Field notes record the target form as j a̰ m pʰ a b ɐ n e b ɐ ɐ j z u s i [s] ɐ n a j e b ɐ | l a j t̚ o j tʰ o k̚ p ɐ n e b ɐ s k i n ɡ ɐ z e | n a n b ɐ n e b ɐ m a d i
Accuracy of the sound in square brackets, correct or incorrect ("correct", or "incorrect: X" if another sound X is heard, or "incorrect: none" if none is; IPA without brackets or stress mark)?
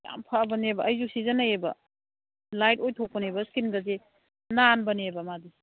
incorrect: z